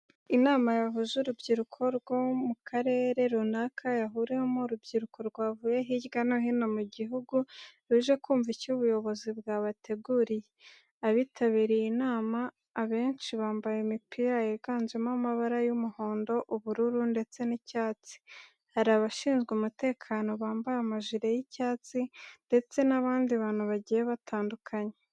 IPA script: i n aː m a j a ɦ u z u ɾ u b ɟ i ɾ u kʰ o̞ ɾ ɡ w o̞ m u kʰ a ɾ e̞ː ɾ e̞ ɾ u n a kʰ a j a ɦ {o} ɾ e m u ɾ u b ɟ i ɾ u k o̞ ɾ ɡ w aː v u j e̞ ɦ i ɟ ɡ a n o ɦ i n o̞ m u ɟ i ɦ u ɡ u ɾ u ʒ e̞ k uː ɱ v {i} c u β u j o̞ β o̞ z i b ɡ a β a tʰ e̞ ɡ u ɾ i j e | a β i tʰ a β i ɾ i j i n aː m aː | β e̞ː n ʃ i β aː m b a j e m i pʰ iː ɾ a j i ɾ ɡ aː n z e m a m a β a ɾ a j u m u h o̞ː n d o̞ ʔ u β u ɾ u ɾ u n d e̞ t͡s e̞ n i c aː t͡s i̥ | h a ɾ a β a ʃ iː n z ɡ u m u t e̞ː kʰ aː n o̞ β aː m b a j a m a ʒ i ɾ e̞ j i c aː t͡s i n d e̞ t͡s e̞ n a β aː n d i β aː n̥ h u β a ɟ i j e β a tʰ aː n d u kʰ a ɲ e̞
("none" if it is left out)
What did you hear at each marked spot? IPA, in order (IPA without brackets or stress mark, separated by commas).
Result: u, i